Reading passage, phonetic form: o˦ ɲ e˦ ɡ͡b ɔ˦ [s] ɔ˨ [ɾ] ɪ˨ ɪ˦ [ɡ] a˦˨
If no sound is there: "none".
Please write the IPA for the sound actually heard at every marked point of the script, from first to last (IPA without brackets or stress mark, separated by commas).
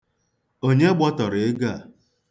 t, ɾ, ɡ